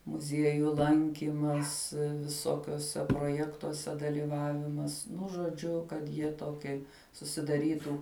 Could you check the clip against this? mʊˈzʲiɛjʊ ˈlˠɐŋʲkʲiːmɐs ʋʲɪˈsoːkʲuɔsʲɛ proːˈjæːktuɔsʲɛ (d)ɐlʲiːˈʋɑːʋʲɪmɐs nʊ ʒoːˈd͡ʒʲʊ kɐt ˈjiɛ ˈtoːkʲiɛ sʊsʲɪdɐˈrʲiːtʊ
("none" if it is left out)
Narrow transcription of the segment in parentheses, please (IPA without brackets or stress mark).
d